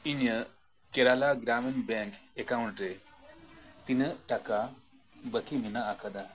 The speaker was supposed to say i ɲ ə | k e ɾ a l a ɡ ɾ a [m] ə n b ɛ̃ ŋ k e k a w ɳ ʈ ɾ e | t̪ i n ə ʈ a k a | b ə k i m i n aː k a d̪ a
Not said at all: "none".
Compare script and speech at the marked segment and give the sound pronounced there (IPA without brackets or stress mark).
m